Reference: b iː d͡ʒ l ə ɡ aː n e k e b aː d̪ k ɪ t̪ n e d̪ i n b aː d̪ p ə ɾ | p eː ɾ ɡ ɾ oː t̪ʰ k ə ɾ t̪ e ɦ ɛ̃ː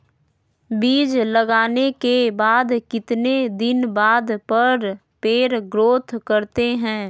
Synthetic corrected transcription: b iː d͡ʒ l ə ɡ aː n e k e b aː d̪ k ɪ t̪ n e d̪ ɪ n b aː d̪ p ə ɾ | p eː ɾ ɡ ɾ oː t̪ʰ k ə ɾ t̪ e ɦ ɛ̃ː